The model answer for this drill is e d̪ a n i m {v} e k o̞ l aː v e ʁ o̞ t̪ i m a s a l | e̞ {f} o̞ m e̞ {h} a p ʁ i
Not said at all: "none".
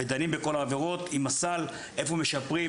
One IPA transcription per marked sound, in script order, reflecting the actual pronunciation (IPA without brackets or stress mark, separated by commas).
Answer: b, f, ʃ